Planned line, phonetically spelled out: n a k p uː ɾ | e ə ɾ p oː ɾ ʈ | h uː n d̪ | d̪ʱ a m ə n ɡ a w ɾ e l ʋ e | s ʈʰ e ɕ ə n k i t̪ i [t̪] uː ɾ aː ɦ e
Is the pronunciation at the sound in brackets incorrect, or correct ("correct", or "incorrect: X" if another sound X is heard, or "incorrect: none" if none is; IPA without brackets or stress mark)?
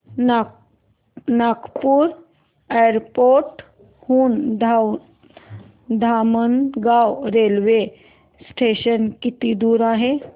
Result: incorrect: d̪